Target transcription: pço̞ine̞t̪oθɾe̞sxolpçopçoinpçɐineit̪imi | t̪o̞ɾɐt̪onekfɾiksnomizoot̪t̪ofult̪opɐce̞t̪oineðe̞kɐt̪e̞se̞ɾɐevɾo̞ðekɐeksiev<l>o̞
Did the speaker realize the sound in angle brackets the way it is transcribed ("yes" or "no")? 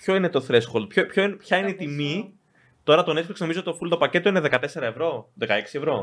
no